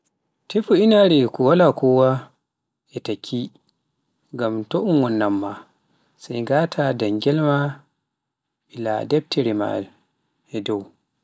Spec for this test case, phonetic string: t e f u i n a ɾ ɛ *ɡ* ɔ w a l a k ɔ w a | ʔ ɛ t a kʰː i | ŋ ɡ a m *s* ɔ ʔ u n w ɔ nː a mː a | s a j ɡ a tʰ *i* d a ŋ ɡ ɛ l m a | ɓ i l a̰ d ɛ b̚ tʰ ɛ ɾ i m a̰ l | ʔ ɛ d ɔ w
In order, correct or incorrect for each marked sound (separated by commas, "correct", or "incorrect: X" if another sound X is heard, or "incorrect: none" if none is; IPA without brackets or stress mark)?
incorrect: k, incorrect: t, incorrect: a